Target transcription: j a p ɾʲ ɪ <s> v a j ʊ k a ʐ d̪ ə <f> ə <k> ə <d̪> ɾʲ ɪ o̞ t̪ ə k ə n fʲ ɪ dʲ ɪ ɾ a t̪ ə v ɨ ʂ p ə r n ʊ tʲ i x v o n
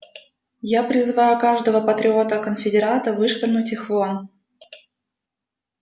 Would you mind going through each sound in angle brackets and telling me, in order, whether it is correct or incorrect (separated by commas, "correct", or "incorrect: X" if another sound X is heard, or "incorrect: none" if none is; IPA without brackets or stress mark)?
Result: incorrect: z, incorrect: v, incorrect: p, incorrect: t̪